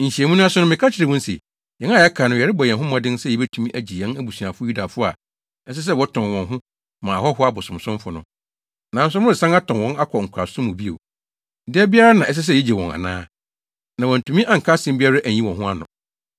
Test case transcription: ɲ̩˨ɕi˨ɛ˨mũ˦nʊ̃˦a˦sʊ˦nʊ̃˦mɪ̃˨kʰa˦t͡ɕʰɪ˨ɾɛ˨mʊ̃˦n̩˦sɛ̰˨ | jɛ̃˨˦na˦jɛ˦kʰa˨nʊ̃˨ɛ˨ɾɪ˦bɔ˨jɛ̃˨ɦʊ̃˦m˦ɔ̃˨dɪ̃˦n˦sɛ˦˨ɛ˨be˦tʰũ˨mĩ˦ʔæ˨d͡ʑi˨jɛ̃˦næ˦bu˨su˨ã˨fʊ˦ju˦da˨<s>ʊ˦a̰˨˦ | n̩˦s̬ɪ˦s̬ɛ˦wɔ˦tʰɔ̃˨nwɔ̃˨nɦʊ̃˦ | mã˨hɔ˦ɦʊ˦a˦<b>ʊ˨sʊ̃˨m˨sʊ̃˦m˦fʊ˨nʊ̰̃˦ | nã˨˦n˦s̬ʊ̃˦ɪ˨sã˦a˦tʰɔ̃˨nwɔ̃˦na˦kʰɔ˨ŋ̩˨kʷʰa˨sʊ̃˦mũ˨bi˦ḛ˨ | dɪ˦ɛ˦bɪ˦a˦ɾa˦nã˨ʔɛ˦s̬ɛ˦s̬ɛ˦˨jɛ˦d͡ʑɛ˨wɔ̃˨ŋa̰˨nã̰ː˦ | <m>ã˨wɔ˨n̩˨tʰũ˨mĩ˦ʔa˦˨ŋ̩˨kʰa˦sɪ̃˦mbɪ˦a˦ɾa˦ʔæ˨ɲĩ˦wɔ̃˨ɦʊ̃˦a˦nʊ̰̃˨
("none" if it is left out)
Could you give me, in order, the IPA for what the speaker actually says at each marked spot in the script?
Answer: f, b, n

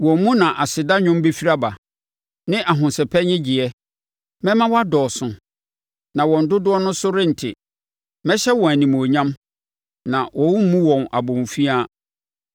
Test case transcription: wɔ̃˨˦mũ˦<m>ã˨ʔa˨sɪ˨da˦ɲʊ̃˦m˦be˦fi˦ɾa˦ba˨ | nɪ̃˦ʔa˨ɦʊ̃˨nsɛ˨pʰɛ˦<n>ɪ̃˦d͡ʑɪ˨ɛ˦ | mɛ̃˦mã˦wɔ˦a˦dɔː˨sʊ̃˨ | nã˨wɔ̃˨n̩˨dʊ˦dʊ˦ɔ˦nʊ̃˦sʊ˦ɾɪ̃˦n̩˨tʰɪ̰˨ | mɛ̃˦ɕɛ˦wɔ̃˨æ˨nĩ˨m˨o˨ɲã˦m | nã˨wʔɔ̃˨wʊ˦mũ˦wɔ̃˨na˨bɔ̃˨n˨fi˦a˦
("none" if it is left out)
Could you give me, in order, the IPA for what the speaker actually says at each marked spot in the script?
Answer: n, ɲ

